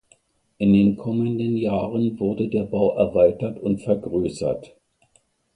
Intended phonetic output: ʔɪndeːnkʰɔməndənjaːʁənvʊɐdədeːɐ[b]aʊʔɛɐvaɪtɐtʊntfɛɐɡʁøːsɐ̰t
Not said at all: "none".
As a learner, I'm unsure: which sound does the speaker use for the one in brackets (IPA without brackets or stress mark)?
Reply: b